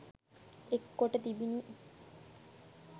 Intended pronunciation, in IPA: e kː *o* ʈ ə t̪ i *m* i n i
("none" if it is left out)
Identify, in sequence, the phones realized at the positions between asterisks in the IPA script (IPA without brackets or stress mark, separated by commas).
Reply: o, b